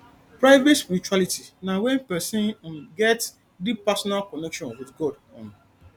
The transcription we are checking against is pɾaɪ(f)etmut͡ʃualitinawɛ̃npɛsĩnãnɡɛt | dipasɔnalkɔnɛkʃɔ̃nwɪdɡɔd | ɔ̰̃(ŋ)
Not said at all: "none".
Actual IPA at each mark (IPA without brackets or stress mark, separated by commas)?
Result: v, n